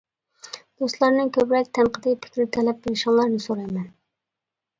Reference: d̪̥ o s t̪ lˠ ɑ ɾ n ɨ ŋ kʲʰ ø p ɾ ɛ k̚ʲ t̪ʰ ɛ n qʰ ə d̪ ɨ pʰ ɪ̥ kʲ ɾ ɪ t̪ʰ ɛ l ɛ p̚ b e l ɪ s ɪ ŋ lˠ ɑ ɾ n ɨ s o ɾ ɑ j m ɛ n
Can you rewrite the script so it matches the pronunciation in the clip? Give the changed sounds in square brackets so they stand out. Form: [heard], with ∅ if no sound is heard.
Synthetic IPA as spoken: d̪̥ o s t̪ lˠ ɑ ɾ n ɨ ŋ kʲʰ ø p ɾ ɛ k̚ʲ t̪ʰ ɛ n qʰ ə d̪ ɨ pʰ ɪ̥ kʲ ɾ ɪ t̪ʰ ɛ l ɛ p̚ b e l ɪ [ʃ] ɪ ŋ lˠ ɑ ɾ n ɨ s o ɾ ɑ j m ɛ n